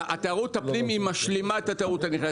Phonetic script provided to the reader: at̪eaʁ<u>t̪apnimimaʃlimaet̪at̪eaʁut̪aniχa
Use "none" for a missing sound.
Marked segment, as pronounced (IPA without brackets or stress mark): u